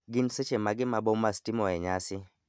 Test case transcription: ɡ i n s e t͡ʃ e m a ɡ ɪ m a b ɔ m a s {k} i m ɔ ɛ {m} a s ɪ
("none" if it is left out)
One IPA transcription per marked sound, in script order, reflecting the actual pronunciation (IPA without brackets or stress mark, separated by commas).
t, ɲ